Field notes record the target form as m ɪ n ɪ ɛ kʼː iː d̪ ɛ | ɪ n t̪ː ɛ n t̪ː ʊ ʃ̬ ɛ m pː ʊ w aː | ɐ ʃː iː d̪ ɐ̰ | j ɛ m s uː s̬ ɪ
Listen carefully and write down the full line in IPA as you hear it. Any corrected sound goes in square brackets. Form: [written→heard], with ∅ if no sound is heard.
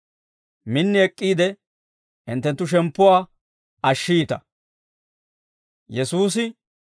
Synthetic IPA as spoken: m ɪ [n→nː] ɪ ɛ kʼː iː d̪ ɛ | ɪ n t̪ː ɛ n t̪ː ʊ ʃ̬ ɛ m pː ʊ w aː | ɐ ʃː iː [d̪→t̪] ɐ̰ | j ɛ [m→∅] s uː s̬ ɪ